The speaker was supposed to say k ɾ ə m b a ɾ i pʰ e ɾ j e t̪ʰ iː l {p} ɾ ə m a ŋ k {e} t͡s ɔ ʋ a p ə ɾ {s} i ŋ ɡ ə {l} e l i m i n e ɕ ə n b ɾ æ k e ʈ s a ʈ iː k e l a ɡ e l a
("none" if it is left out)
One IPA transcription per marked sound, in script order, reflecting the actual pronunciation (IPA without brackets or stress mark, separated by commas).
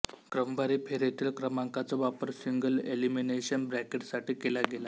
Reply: k, a, s, l